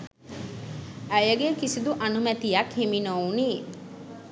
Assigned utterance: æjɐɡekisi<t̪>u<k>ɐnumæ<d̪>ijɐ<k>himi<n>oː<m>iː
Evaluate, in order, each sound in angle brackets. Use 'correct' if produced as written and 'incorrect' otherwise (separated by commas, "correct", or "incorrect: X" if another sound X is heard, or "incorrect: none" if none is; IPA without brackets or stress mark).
incorrect: d̪, incorrect: ʔ, incorrect: t̪, correct, correct, incorrect: n